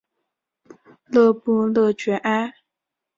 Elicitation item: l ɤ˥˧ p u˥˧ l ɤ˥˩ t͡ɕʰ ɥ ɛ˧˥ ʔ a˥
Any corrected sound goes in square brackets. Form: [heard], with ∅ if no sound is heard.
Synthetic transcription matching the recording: l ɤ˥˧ p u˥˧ l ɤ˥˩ [t͡ɕ] ɥ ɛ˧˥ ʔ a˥

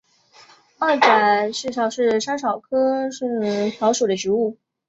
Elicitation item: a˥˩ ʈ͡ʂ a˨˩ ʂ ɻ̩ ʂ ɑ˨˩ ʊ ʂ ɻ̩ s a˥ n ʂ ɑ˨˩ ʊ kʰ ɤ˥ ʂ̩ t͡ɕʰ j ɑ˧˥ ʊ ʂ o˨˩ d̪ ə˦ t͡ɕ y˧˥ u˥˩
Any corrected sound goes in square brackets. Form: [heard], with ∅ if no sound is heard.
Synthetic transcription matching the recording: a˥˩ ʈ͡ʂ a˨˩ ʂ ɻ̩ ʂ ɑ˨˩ ʊ ʂ ɻ̩ [ʂ] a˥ n ʂ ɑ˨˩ ʊ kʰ ɤ˥ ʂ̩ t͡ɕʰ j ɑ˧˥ ʊ ʂ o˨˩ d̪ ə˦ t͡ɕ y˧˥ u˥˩

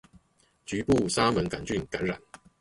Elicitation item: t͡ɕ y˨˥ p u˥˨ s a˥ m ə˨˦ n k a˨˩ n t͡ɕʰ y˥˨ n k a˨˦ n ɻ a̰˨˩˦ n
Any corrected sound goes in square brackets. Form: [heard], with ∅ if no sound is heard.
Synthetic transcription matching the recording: t͡ɕ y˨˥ p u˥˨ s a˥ m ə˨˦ n k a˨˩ n [t͡ɕ] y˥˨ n k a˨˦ n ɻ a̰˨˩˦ n

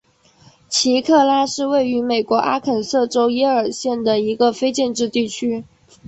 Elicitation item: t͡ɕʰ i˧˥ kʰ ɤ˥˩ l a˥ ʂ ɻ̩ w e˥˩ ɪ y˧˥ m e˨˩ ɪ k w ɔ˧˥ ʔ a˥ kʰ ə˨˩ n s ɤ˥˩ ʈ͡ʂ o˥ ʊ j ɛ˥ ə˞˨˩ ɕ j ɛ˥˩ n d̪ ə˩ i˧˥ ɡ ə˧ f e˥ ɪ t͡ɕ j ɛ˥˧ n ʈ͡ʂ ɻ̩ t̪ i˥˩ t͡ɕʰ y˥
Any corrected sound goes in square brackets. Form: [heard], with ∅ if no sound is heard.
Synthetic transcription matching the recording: t͡ɕʰ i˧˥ kʰ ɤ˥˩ l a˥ ʂ ɻ̩ w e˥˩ ɪ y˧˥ m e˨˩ ɪ k w ɔ˧˥ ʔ a˥ kʰ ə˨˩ n s ɤ˥˩ ʈ͡ʂ o˥ ʊ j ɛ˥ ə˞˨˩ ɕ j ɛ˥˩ n d̪ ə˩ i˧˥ ɡ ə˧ f e˥ ɪ t͡ɕ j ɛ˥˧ n ʈ͡ʂ ɻ̩ t̪ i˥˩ t͡ɕʰ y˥

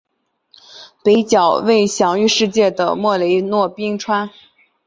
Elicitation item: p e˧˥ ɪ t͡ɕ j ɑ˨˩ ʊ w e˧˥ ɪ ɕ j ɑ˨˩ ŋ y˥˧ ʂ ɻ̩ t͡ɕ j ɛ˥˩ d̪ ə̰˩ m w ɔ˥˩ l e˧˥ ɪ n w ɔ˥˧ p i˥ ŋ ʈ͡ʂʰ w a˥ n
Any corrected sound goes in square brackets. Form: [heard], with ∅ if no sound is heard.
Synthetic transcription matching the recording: p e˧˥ ɪ t͡ɕ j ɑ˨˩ ʊ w [e˥˩] ɪ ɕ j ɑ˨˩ ŋ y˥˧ ʂ ɻ̩ t͡ɕ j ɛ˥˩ d̪ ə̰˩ m w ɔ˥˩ l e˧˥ ɪ n w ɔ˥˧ p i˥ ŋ ʈ͡ʂʰ w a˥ n

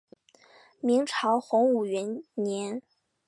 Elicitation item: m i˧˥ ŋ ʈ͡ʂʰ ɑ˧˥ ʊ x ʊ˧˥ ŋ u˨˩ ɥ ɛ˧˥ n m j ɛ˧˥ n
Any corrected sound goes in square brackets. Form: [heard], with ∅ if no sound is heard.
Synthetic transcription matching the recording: m i˧˥ ŋ ʈ͡ʂʰ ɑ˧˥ ʊ x ʊ˧˥ ŋ u˨˩ ɥ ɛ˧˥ n [n] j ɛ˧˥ n

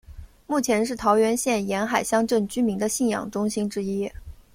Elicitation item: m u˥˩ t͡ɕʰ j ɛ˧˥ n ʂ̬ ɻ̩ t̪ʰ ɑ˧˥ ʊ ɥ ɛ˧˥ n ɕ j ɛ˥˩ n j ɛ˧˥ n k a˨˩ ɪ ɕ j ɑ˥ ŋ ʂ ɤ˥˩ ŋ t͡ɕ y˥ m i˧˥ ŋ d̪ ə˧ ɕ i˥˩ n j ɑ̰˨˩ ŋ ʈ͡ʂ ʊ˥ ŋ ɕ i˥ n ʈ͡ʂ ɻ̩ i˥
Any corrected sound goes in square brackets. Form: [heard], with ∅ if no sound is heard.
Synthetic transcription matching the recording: m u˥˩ t͡ɕʰ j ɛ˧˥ n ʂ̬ ɻ̩ t̪ʰ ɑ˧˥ ʊ ɥ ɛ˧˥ n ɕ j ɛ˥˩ n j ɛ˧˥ n [x] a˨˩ ɪ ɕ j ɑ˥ ŋ [ʈ͡ʂ] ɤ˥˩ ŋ t͡ɕ y˥ m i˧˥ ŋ d̪ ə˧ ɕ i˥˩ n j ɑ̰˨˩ ŋ ʈ͡ʂ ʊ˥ ŋ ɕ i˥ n ʈ͡ʂ ɻ̩ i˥

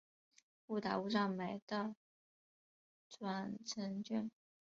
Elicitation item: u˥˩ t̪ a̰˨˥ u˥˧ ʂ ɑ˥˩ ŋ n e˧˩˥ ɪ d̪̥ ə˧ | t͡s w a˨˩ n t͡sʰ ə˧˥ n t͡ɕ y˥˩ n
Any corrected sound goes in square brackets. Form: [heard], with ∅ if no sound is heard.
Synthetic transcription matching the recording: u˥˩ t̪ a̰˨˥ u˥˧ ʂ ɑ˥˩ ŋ [m] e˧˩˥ ɪ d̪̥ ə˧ | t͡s w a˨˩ n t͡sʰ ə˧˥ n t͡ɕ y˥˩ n

